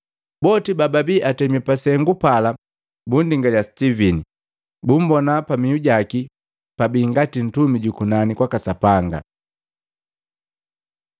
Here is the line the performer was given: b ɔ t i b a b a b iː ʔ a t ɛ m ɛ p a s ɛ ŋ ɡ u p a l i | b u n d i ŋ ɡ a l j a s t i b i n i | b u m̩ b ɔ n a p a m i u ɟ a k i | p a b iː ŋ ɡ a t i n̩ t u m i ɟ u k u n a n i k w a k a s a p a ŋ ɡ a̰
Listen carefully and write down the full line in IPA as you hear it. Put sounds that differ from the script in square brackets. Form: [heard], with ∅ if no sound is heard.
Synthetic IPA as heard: b ɔ t i b a b a b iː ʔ a t ɛ m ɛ p a s ɛ ŋ ɡ u p a l [a] | b u n d i ŋ ɡ a l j a s t i [v] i n i | b u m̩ b ɔ n a p a m i u ɟ a k i | p a b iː ŋ ɡ a t i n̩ t u m i ɟ u k u n a n i k w a k a s a p a ŋ ɡ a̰